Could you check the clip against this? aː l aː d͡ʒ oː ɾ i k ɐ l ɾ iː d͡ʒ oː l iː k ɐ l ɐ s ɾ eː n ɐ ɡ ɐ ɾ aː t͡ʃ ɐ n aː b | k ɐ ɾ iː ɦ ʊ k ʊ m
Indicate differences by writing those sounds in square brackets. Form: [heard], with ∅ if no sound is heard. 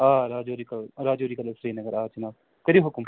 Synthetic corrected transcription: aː [ɾ] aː d͡ʒ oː ɾ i k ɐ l ɾ [aː] d͡ʒ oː [ɾ] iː k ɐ l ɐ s ɾ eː n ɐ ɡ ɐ ɾ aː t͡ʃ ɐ n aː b | k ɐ ɾ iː ɦ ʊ k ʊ m